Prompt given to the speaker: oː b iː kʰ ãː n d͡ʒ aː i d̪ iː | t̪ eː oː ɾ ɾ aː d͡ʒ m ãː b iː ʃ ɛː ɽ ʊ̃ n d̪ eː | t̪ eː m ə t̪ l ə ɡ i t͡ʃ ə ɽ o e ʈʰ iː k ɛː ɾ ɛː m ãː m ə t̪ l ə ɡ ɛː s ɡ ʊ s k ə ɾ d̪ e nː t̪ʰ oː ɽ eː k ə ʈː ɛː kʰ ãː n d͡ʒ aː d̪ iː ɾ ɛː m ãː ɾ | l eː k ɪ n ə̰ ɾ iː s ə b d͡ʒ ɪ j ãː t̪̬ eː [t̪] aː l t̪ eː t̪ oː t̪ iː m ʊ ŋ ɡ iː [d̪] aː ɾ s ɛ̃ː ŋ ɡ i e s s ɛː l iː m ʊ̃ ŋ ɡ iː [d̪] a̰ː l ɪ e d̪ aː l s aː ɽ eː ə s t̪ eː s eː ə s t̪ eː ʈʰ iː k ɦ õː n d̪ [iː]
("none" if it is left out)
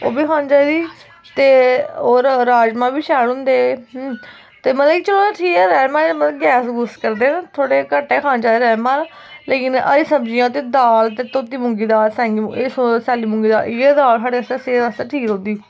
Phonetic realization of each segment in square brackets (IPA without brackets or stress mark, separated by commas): d̪, d̪, d̪, iː